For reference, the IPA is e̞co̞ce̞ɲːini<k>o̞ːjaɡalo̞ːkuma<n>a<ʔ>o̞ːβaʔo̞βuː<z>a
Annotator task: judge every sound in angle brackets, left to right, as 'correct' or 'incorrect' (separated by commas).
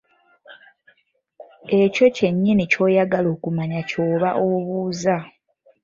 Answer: incorrect, incorrect, incorrect, correct